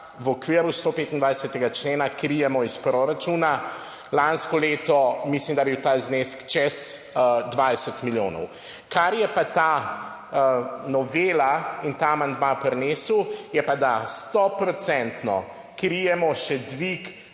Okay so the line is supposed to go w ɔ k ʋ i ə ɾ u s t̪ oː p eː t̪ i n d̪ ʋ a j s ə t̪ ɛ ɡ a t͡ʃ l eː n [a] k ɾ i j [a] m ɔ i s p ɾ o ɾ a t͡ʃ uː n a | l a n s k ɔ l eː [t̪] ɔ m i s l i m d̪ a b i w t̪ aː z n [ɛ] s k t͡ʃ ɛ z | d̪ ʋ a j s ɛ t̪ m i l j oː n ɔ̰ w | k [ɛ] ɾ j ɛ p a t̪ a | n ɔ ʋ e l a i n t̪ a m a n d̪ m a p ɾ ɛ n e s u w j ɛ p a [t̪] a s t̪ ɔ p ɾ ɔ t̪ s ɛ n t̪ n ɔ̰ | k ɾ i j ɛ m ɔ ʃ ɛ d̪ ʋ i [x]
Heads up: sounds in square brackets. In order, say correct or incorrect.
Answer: correct, incorrect: ɛ, correct, incorrect: e, incorrect: a, incorrect: d̪, incorrect: k

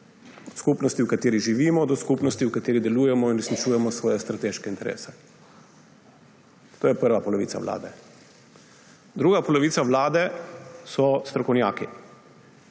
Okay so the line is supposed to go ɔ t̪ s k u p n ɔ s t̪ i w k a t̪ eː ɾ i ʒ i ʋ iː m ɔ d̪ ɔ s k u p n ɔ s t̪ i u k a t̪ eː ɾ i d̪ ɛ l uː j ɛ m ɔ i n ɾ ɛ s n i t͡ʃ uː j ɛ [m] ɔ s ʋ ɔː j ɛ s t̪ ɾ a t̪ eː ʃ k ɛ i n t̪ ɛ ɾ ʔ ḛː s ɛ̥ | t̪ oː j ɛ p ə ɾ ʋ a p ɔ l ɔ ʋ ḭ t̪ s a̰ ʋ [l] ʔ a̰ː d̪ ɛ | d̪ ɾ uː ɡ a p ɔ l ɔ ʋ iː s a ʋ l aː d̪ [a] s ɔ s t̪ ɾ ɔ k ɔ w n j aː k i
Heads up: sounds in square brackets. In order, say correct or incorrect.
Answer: correct, correct, incorrect: ɛ

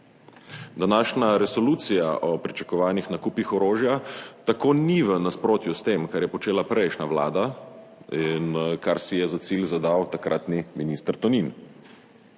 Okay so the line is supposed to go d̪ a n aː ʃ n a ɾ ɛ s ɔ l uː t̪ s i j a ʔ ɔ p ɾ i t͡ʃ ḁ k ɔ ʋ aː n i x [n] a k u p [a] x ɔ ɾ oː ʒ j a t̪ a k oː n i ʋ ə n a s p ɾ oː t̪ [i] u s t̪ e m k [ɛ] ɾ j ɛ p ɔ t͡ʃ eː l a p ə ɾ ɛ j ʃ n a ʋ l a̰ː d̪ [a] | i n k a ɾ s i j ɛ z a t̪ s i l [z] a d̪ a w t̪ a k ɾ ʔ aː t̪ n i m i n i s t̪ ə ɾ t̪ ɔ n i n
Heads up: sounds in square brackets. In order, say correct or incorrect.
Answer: correct, incorrect: i, incorrect: j, incorrect: a, correct, correct

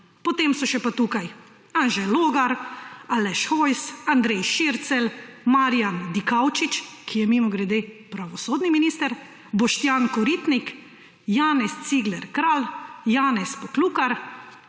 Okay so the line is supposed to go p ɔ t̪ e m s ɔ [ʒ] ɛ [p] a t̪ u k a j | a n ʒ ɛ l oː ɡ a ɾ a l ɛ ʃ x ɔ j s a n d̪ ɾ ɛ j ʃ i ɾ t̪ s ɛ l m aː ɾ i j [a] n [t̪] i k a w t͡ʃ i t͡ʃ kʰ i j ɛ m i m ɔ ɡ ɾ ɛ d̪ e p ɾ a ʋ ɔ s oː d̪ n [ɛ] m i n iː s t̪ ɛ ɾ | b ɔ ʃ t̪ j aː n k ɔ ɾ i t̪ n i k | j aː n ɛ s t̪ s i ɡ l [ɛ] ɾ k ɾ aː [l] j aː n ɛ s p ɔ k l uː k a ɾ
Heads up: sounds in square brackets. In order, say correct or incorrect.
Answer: incorrect: ʃ, correct, correct, incorrect: d̪, incorrect: i, correct, correct

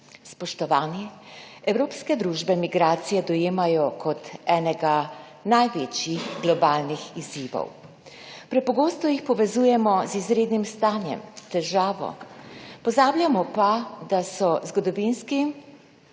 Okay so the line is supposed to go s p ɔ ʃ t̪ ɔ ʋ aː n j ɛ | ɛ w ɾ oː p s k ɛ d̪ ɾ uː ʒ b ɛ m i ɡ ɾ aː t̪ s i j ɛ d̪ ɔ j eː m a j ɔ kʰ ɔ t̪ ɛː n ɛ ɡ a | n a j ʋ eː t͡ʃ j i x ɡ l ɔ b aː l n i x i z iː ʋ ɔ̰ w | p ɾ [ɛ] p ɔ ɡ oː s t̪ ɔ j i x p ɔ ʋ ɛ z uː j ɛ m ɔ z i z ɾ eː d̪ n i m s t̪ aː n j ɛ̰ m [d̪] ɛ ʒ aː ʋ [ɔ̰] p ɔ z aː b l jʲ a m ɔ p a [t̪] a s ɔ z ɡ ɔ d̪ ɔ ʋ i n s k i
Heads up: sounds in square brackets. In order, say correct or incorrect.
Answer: correct, incorrect: t̪, correct, incorrect: d̪

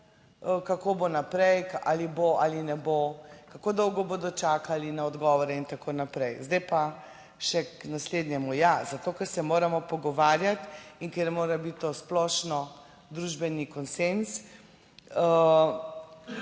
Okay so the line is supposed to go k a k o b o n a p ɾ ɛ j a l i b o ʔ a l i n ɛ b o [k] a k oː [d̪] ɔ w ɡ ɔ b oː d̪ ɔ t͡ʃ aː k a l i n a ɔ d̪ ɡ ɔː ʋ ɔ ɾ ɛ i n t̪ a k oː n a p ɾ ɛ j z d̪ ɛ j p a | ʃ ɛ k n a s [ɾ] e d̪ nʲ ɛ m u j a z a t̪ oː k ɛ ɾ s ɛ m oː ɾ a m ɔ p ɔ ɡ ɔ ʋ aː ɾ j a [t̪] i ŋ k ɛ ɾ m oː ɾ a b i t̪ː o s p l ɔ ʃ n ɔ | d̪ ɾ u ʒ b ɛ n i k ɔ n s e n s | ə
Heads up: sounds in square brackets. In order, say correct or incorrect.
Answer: correct, correct, incorrect: l, correct

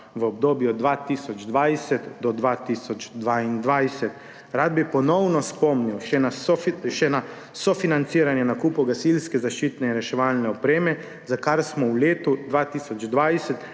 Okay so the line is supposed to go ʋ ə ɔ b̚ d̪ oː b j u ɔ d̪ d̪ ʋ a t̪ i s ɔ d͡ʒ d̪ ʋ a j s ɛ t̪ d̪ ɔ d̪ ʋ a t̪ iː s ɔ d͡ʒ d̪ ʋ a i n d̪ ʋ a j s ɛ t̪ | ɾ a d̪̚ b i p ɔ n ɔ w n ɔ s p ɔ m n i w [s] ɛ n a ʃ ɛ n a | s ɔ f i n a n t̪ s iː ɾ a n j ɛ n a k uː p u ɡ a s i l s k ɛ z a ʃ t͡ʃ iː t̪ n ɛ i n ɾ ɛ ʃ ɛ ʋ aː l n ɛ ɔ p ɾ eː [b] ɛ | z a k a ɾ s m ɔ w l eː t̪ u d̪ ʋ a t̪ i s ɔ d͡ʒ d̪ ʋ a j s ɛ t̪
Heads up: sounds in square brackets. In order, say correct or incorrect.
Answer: incorrect: ʃ, incorrect: m

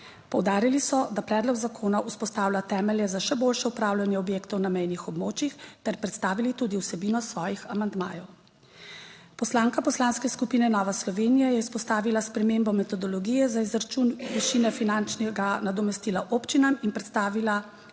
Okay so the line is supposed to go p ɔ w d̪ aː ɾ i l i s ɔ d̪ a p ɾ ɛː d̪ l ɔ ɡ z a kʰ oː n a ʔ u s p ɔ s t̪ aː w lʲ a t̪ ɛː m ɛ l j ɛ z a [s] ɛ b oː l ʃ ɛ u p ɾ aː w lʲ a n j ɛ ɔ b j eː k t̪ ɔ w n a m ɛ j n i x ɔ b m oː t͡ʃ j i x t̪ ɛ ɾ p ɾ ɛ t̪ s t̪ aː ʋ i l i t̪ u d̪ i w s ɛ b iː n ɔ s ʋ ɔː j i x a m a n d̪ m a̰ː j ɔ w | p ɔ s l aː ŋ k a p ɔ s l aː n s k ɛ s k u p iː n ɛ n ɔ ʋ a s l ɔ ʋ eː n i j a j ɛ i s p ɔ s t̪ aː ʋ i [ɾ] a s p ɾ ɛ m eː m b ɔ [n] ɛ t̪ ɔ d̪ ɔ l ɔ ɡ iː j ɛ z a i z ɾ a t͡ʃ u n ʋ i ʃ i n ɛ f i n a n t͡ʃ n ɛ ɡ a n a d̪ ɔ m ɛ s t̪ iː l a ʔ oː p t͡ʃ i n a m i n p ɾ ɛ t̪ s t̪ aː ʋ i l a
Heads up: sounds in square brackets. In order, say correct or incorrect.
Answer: incorrect: ʃ, incorrect: l, incorrect: m

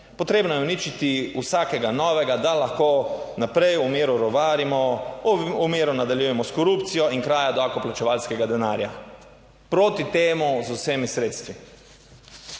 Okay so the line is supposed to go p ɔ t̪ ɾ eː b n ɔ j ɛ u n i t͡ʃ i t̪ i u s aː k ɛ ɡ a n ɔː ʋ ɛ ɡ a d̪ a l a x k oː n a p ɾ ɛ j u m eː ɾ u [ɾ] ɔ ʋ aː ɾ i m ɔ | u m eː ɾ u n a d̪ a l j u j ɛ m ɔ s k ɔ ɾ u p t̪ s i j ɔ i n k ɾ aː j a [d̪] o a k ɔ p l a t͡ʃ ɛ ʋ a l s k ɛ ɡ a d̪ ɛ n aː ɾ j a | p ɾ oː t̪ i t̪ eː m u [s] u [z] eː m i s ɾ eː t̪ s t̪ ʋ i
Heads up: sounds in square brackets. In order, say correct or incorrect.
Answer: correct, correct, incorrect: z, incorrect: s

